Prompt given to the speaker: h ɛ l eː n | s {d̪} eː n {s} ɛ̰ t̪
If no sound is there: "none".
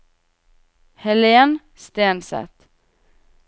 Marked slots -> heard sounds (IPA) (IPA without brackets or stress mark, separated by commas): t̪, s